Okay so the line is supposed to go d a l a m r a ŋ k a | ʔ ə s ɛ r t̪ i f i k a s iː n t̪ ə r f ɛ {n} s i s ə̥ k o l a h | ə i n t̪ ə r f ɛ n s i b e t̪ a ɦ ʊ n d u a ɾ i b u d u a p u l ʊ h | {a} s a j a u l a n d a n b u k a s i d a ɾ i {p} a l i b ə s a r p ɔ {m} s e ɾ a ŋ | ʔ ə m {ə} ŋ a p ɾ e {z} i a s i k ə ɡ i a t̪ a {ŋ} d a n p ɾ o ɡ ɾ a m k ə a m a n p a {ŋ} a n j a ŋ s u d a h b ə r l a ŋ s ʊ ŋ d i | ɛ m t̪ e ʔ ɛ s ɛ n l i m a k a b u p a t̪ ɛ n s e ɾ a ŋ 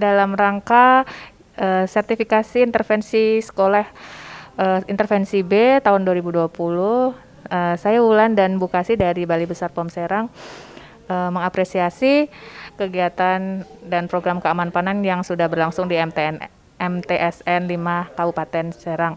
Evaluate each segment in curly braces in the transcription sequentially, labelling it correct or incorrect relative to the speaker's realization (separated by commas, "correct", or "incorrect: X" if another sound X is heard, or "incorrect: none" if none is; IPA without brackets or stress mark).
correct, incorrect: ə, incorrect: b, correct, correct, incorrect: s, incorrect: n, incorrect: n